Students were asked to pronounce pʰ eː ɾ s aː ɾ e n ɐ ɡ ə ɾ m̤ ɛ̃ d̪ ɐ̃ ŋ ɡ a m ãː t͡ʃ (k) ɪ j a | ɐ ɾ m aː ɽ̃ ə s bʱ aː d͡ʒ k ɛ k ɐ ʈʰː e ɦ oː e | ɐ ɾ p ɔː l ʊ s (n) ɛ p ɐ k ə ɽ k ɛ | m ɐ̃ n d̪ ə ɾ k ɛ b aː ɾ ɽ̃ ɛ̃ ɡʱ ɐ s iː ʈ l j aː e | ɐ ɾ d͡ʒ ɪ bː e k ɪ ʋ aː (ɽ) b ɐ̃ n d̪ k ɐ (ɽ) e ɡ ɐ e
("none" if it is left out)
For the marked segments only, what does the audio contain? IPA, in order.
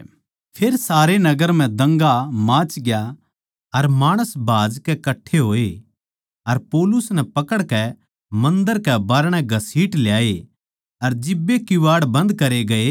ɡ, n, ɽ, ɾ

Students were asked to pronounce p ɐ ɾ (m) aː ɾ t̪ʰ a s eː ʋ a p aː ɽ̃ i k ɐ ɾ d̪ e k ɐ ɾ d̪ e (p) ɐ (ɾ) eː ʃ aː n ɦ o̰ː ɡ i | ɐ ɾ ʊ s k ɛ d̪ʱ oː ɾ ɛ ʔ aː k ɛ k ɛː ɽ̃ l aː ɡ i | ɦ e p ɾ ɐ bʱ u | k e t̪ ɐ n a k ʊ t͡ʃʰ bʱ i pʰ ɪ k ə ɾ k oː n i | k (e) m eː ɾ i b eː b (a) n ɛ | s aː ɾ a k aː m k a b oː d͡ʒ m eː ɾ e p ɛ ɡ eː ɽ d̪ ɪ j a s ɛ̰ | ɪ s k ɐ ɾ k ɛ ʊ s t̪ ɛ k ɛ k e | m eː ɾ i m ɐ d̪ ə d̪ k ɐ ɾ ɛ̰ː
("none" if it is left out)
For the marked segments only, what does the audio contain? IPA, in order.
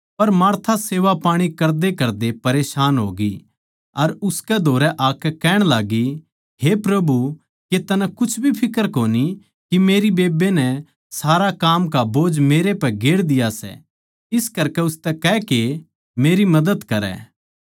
m, p, ɾ, i, e

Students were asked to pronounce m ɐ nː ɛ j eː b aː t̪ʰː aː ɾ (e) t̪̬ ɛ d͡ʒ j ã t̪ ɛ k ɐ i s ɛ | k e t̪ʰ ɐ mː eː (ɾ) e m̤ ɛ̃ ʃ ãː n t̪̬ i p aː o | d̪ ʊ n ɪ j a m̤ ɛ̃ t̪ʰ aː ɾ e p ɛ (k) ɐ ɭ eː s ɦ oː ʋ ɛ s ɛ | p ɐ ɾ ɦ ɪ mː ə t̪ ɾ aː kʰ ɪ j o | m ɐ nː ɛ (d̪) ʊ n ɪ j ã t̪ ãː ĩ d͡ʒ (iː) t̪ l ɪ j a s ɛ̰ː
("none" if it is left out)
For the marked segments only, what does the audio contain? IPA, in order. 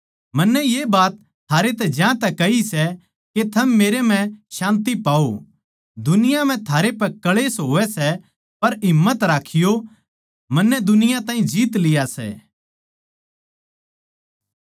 e, ɾ, k, d̪, iː

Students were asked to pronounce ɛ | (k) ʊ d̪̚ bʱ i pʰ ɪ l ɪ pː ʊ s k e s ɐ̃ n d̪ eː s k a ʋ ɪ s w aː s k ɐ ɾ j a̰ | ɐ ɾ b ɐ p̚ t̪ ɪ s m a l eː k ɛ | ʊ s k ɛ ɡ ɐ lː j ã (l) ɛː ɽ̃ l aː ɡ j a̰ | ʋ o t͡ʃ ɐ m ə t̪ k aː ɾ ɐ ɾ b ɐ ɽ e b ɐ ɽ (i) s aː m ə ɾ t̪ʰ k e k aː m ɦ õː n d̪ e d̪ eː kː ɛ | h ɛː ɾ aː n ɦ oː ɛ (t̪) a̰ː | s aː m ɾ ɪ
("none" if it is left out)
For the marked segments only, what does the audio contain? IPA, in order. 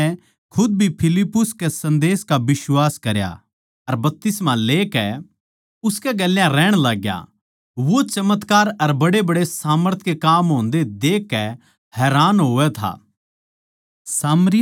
kʰ, ɾ, e, t̪ʰ

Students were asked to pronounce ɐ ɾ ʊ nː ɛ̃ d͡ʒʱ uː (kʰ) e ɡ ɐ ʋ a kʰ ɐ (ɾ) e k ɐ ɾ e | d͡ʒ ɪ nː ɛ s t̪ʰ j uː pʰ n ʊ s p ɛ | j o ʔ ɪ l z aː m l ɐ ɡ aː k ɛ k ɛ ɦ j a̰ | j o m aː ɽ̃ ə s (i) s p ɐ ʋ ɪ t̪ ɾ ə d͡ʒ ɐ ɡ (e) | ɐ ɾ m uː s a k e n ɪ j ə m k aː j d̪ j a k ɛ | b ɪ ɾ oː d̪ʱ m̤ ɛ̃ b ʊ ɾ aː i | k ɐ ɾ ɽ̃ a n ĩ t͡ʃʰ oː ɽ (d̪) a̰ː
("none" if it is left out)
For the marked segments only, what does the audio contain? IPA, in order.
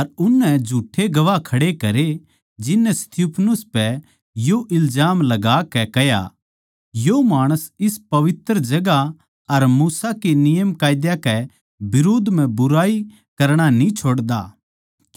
ʈʰ, ɽ, ɪ, a, d̪

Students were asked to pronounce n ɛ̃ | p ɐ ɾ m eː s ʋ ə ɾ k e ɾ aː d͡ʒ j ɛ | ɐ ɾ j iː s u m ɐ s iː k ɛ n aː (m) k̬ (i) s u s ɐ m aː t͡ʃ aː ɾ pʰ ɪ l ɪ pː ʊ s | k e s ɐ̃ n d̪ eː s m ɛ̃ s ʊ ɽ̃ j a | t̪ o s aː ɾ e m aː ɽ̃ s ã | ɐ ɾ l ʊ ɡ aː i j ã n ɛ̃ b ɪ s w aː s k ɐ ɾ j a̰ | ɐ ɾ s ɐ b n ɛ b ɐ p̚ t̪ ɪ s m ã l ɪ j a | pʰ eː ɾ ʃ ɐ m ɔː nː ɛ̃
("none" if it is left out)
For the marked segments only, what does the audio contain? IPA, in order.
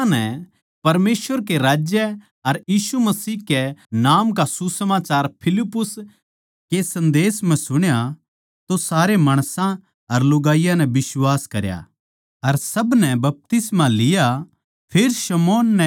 m, a

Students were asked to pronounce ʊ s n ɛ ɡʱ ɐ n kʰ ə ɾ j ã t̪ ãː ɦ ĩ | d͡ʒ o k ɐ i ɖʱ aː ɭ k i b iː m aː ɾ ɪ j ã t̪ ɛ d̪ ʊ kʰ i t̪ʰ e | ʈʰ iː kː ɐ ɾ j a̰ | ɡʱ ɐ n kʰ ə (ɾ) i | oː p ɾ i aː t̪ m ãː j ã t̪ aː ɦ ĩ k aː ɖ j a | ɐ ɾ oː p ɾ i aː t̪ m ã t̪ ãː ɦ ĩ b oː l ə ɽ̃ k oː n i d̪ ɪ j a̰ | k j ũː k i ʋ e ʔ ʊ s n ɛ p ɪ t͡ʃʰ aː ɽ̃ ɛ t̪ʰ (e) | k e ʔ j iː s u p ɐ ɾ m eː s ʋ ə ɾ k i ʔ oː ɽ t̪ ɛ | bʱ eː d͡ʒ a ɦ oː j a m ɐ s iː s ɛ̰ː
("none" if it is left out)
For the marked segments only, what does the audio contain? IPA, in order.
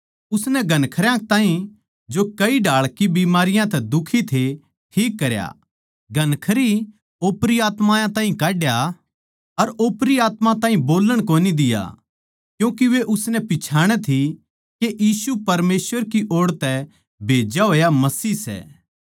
ɾ, i

